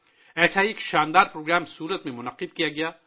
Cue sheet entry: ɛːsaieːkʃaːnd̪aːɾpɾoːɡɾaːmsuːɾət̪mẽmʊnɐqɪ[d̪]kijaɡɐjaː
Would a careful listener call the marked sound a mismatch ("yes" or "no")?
no